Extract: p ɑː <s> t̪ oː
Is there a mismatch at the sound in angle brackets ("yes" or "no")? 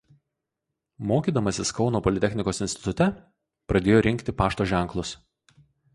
yes